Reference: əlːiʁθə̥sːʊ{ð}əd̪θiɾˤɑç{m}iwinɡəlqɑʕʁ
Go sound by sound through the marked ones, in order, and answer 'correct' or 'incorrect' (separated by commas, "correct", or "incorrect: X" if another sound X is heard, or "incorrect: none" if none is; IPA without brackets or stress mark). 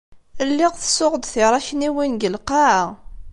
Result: incorrect: ʁ, incorrect: n